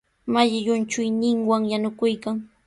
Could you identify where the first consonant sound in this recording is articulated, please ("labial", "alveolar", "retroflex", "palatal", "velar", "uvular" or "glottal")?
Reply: labial